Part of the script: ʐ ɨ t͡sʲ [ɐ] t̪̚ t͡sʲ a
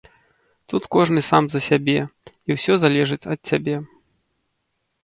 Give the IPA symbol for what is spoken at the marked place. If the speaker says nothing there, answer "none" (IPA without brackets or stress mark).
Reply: ɐ